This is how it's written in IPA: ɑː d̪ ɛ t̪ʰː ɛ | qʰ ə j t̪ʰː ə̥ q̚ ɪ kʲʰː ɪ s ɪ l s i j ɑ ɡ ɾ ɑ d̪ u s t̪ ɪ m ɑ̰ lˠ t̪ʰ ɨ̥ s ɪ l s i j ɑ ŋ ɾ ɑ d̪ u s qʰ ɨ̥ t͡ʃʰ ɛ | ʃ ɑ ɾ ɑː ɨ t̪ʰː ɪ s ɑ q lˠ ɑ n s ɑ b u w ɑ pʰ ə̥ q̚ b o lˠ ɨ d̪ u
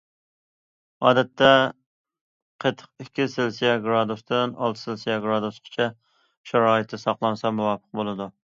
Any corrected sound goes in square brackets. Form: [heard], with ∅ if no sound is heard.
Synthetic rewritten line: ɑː d̪ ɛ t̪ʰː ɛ | qʰ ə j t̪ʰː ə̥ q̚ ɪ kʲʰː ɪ s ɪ l s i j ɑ ɡ ɾ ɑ d̪ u s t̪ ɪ [n] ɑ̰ lˠ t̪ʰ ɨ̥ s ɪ l s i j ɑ [ɡ] ɾ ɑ d̪ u s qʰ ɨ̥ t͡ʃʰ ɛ | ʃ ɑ ɾ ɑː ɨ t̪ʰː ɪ s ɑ q lˠ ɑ n s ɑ [m] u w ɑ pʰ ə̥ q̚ b o lˠ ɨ d̪ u